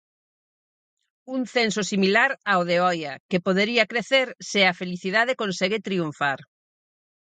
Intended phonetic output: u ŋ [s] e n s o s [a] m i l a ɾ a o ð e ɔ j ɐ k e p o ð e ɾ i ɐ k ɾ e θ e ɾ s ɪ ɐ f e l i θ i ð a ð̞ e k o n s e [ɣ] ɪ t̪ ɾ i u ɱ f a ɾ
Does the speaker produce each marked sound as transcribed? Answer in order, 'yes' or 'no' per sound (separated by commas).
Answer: no, no, yes